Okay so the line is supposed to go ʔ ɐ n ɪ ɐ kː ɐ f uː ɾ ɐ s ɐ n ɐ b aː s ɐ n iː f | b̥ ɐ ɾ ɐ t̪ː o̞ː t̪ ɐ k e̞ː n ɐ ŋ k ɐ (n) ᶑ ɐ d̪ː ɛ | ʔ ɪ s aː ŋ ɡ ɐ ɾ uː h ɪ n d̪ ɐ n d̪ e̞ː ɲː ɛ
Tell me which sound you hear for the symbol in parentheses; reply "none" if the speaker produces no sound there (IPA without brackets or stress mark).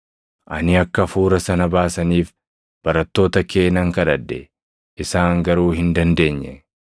none